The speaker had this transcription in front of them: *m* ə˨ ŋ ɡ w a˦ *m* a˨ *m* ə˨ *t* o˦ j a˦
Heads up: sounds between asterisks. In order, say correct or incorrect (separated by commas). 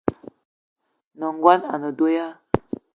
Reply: incorrect, incorrect, incorrect, incorrect